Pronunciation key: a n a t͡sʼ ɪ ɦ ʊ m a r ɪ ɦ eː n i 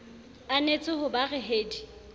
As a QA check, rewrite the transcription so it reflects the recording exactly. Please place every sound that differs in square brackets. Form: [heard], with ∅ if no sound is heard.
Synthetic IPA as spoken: a n [e] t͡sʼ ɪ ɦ ʊ [b] a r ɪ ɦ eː [d] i